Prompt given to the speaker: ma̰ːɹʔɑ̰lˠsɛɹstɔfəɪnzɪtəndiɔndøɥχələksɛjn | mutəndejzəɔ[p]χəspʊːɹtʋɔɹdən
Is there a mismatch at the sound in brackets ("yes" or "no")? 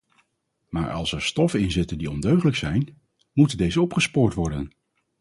no